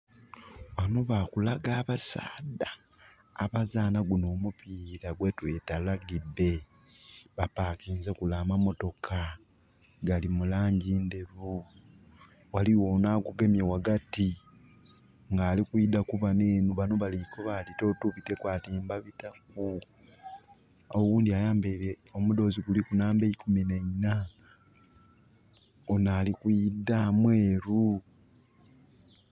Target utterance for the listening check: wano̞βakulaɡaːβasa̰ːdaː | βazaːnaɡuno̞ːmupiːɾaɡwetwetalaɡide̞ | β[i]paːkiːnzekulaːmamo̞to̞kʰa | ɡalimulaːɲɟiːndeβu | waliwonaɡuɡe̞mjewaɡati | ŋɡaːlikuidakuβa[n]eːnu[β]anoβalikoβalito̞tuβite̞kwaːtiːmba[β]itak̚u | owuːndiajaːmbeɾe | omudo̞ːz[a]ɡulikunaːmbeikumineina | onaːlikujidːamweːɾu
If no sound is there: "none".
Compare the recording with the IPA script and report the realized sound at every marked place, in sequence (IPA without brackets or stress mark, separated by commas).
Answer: a, n, β, β, i